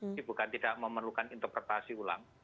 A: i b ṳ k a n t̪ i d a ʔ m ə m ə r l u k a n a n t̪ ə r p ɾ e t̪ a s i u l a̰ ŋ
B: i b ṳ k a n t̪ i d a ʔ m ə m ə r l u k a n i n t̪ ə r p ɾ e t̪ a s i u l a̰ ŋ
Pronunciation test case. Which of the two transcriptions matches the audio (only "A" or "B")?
B